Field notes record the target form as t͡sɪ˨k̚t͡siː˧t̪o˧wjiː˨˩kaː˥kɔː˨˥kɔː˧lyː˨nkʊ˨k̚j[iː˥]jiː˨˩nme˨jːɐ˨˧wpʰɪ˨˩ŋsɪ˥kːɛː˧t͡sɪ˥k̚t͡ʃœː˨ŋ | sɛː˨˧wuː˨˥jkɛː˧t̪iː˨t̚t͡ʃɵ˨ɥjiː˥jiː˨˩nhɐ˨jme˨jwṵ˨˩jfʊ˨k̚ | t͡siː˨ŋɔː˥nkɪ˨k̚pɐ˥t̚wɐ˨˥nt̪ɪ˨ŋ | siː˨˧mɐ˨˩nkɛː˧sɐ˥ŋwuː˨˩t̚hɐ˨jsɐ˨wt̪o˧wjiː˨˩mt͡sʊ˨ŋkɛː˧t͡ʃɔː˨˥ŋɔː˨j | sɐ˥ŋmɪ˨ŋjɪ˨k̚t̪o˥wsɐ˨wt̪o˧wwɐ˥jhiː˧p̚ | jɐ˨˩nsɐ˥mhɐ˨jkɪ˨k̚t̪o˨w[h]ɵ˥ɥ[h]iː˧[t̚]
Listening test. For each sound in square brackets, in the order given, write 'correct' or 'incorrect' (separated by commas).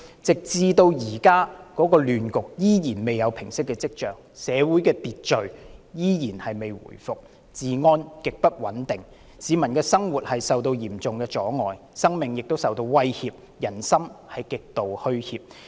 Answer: correct, correct, correct, incorrect